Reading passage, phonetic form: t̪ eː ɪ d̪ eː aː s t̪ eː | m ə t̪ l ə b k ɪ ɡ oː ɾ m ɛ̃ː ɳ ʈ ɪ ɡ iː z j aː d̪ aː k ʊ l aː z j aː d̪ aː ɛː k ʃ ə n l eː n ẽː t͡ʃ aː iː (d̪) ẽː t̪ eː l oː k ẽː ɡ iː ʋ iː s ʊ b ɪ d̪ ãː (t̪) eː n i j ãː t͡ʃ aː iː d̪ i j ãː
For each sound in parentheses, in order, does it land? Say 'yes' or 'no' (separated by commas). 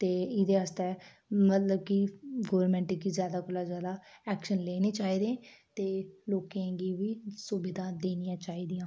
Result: yes, no